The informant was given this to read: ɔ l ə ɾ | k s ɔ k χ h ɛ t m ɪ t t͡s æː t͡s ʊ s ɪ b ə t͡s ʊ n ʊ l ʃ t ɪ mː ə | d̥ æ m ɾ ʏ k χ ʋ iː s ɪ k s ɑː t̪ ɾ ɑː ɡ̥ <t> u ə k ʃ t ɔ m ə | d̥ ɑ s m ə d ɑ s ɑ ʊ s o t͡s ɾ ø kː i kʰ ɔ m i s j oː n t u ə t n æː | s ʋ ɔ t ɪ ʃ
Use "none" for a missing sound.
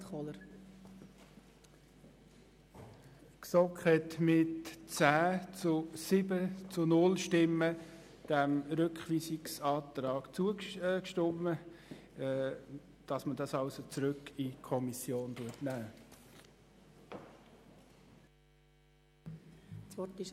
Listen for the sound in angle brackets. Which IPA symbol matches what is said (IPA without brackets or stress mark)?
t͡s